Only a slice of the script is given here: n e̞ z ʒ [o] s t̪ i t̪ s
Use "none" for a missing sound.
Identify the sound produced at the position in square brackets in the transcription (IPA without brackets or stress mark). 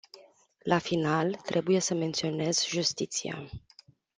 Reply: u